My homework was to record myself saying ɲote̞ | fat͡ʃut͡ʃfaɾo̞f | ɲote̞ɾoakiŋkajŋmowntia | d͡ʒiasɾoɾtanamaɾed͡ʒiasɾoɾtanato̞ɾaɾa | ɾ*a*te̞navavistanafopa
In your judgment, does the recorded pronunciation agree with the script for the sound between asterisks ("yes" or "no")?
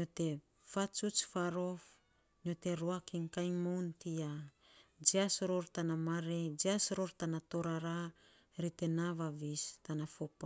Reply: no